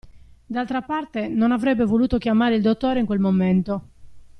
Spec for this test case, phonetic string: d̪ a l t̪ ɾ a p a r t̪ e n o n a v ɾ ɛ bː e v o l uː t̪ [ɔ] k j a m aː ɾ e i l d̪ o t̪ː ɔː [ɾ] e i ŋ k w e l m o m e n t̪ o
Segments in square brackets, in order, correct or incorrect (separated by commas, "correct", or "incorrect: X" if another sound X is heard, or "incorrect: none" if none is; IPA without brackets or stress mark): incorrect: o, correct